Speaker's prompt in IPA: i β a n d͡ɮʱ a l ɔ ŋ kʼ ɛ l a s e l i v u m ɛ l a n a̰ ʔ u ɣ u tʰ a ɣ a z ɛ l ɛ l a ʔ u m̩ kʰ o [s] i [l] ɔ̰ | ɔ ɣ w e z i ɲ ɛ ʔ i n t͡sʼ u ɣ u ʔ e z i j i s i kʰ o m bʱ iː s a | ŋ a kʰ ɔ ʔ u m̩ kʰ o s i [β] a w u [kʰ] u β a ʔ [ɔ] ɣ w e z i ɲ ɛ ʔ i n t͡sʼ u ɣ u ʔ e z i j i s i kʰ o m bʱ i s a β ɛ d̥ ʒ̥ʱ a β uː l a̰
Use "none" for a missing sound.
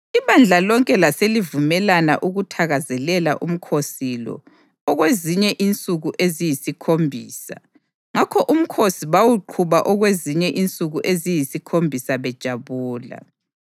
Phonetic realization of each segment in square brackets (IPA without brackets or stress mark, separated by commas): s, l, β, ǃʰ, ɔ